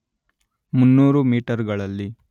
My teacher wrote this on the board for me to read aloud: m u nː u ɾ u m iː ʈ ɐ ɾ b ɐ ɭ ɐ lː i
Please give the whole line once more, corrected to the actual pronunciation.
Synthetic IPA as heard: m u nː uː ɾ u m iː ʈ ɐ ɾ ɡ ɐ ɭ ɐ lː i